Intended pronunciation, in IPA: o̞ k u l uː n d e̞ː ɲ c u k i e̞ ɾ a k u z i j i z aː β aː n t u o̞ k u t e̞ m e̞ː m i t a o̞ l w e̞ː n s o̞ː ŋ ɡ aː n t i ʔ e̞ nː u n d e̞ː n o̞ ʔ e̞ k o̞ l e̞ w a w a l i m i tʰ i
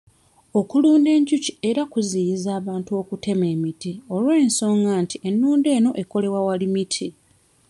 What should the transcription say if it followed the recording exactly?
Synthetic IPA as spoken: o̞ k u l uː n d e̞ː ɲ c u c i e̞ ɾ a k u z i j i z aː β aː n t u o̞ k u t e̞ m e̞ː m i t i o̞ l w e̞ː n s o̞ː ŋ ɡ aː n t i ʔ e̞ nː uː n d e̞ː n o̞ ʔ e̞ k o̞ l e̞ w a w a l i m i tʰ i